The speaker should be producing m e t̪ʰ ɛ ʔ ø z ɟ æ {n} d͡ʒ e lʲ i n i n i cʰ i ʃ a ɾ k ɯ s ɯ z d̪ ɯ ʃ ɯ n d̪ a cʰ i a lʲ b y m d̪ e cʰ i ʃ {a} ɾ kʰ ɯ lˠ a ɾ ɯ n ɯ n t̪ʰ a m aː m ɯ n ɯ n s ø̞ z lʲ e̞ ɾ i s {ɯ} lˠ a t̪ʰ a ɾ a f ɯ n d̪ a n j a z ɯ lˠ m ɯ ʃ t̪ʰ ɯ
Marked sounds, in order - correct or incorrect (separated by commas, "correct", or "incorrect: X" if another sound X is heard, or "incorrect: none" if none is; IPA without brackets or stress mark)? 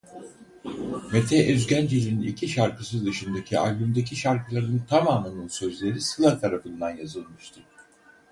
correct, correct, correct